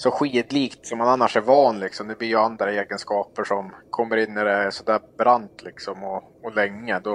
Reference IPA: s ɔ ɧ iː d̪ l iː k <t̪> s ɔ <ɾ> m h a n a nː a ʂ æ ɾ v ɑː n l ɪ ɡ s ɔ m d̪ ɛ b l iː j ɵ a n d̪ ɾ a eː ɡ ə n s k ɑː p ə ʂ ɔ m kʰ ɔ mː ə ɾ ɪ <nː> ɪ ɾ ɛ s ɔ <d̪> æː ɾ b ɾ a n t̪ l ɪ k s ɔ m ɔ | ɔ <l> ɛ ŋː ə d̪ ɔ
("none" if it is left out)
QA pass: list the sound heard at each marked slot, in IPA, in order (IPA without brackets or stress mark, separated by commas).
t̪, none, nː, d̪, l